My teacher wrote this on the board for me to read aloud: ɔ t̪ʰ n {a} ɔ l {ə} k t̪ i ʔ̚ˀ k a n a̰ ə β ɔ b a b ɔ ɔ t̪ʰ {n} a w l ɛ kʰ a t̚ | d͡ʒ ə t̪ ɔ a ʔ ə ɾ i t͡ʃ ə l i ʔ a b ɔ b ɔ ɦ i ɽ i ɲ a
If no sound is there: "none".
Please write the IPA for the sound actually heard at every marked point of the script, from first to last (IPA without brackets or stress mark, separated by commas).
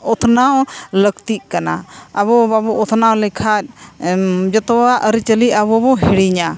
a, ə, n